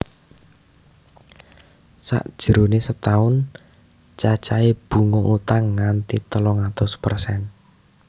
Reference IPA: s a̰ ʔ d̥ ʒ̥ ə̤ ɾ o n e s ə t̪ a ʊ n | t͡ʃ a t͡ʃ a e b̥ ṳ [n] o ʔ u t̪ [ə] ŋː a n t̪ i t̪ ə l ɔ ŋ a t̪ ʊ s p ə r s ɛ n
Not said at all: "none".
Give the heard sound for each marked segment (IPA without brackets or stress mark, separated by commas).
ŋ, a